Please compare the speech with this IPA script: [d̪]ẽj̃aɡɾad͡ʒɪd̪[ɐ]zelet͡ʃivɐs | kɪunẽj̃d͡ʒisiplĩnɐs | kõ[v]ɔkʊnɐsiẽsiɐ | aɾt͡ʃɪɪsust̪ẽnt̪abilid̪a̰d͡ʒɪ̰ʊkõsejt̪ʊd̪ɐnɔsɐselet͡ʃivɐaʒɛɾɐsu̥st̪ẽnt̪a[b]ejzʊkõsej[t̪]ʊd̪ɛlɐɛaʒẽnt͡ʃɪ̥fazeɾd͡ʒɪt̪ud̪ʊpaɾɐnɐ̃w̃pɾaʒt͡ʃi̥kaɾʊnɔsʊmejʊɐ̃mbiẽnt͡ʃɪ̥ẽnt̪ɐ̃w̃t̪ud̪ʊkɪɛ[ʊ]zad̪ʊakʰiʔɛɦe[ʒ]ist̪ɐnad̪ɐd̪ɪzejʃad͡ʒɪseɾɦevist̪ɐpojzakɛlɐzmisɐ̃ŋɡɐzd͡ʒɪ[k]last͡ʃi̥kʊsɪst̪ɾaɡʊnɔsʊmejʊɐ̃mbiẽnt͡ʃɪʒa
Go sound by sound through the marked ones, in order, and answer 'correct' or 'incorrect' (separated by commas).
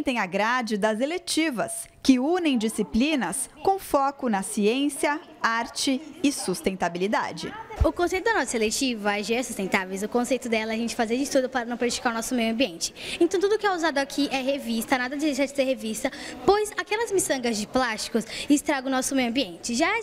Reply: incorrect, correct, incorrect, incorrect, correct, incorrect, incorrect, incorrect